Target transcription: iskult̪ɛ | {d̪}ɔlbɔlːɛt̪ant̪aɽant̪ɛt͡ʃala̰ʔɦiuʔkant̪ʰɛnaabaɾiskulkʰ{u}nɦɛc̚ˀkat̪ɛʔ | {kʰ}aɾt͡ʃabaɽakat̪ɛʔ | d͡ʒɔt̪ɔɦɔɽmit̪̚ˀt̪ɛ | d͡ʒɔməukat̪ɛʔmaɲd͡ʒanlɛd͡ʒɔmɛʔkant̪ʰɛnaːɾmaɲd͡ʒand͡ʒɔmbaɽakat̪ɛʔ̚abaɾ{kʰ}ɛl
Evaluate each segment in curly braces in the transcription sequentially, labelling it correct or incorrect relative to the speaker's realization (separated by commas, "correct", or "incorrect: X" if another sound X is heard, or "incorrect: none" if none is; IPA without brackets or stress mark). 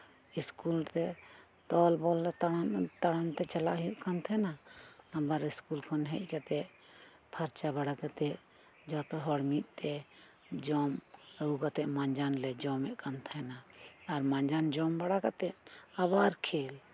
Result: incorrect: t̪, incorrect: ɔ, incorrect: pʰ, correct